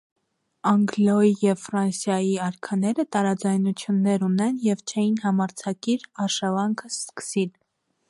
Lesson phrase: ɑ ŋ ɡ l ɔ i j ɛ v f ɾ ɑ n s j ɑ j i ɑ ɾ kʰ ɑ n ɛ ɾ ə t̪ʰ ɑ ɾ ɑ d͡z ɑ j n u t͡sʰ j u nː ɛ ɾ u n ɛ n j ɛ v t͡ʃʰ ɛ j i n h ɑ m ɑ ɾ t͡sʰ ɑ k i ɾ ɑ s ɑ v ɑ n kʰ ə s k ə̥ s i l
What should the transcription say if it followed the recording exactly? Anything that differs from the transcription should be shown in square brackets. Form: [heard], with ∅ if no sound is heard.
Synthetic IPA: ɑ ŋ ɡ l ɔ i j ɛ v f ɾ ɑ n s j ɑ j i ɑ ɾ kʰ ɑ n ɛ ɾ ə [t̪] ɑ ɾ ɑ d͡z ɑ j n u t͡sʰ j u nː ɛ ɾ u n ɛ n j ɛ v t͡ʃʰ ɛ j i n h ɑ m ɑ ɾ t͡sʰ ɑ k i ɾ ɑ [ʃ] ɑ v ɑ [ŋ] kʰ ə s k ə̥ s i l